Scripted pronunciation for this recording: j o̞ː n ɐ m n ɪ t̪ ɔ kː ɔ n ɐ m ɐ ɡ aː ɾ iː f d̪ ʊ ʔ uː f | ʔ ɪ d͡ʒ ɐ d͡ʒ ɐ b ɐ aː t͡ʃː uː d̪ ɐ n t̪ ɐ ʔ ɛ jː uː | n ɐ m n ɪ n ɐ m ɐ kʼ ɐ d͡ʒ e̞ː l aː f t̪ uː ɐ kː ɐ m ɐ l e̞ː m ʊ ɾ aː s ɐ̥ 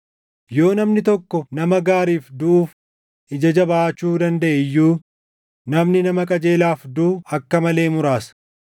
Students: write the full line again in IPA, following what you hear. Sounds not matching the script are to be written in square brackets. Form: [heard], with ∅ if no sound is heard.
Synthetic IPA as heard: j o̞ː n ɐ m n ɪ t̪ ɔ kː ɔ n ɐ m ɐ ɡ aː ɾ iː f d̪ ʊ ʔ uː f | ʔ ɪ d͡ʒ ɐ d͡ʒ ɐ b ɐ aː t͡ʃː uː d̪ ɐ n [d̪] ɐ ʔ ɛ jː uː | n ɐ m n ɪ n ɐ m ɐ kʼ ɐ d͡ʒ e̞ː l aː f [d̪] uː ɐ kː ɐ m ɐ l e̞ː m ʊ ɾ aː s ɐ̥